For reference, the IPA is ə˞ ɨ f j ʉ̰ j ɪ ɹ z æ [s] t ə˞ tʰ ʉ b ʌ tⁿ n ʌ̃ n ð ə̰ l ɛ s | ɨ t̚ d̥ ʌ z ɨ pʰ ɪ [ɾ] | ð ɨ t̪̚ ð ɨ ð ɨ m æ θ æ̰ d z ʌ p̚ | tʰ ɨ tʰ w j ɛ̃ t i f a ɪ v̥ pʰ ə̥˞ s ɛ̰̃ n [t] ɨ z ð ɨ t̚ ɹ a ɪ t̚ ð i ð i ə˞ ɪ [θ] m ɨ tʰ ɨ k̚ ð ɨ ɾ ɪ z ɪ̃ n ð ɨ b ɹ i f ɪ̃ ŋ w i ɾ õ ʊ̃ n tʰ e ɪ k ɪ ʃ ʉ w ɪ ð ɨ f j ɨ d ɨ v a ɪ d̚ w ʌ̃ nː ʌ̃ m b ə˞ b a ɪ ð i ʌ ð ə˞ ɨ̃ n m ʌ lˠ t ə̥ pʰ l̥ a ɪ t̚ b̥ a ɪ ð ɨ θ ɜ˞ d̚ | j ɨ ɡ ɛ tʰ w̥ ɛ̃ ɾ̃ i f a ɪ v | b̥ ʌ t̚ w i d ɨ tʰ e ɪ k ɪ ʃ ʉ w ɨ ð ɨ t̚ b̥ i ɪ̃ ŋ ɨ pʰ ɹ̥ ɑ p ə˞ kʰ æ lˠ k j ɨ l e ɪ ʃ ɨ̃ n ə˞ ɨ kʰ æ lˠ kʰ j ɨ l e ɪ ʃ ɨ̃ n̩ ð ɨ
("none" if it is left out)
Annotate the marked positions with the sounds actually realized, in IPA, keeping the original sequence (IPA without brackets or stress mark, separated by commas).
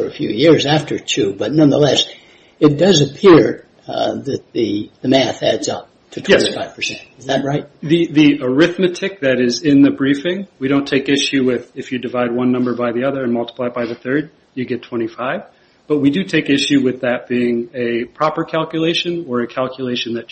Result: f, ɹ, t, θ